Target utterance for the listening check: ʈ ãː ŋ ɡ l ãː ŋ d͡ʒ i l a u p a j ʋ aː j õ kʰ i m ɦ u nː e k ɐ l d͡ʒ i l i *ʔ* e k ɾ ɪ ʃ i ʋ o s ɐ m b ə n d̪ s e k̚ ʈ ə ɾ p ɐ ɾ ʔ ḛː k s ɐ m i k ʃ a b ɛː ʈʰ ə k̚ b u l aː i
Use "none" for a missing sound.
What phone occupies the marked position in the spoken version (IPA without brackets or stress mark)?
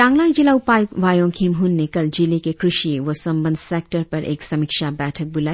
k